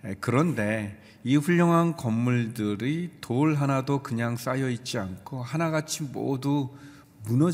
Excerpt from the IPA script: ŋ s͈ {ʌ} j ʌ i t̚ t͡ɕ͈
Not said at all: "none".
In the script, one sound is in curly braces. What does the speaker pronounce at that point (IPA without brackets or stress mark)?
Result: a